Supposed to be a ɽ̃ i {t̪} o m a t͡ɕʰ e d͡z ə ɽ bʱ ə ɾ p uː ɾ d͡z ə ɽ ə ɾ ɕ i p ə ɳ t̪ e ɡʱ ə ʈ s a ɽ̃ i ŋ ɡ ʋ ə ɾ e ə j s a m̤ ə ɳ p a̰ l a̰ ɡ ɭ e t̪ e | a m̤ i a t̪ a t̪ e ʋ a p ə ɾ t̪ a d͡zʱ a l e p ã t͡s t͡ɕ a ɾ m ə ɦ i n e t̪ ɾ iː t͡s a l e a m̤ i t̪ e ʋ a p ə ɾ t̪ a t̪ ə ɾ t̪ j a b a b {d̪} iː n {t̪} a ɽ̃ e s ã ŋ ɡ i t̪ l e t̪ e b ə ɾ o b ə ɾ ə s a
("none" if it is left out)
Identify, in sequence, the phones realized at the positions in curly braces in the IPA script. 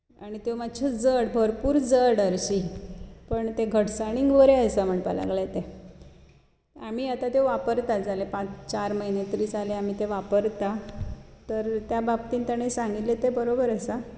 t̪, t̪, t̪

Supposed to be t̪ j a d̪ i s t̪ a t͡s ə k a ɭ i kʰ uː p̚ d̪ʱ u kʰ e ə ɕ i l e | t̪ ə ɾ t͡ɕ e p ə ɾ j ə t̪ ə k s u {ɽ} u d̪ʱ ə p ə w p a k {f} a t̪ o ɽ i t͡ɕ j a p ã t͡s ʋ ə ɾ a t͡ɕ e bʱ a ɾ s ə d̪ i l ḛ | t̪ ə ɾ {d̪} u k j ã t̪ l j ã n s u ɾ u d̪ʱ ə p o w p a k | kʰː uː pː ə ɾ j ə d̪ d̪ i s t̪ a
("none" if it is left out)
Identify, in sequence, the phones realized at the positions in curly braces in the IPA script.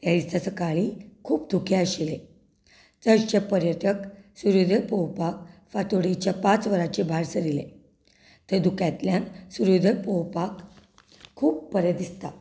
ɾ, f, d̪

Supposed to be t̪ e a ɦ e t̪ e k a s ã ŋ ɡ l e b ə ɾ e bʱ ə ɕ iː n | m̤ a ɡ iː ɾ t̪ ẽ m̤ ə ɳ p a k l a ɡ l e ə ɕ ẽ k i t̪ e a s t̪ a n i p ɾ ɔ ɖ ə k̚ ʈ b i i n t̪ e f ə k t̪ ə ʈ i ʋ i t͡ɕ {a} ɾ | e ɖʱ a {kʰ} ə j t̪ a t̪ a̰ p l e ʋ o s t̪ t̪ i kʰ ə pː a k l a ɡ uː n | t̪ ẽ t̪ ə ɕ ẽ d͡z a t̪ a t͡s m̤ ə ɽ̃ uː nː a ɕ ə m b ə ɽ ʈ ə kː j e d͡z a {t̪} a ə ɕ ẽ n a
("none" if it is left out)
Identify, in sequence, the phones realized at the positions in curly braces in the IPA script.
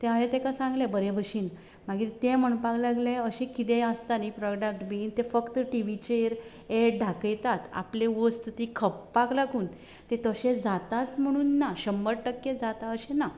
e, k, t̪

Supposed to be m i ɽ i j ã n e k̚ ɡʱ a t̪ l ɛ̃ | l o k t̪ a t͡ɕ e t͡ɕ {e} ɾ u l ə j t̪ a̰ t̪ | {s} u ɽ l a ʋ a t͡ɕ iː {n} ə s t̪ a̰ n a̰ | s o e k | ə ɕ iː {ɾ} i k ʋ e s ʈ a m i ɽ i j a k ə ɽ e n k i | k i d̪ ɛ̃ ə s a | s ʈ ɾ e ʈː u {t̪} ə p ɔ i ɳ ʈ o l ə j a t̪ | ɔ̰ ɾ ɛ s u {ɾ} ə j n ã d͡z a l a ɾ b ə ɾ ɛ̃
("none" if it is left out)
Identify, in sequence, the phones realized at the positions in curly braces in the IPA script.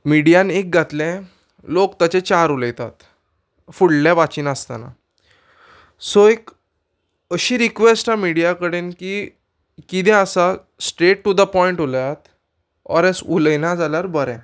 a, f, n, ɾ, d̪, l

